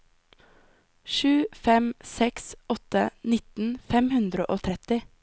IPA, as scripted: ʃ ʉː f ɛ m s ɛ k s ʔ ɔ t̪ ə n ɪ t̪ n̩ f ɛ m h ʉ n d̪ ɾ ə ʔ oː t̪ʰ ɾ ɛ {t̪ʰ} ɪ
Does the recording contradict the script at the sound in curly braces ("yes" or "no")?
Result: yes